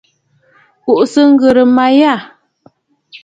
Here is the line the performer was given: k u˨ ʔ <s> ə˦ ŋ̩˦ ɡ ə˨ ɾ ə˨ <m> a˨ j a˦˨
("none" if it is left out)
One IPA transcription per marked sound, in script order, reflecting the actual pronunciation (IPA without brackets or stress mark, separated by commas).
s, m